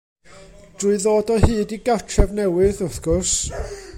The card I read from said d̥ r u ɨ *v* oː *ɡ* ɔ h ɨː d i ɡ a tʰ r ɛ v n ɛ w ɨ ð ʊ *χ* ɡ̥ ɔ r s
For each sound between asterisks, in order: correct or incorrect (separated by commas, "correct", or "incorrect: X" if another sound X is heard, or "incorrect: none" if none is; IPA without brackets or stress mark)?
incorrect: ð, incorrect: d, incorrect: θ